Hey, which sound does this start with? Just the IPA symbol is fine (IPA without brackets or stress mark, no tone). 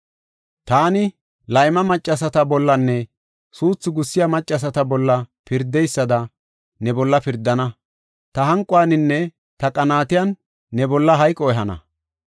t̪